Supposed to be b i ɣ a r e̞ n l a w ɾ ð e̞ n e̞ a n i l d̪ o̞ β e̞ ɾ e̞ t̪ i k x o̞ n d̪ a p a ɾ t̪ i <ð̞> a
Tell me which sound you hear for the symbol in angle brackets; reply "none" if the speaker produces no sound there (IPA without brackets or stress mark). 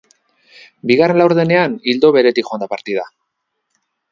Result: ð̞